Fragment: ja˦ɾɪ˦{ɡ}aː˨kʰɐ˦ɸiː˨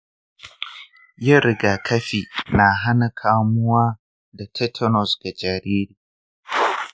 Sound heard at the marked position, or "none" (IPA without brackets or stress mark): ɡ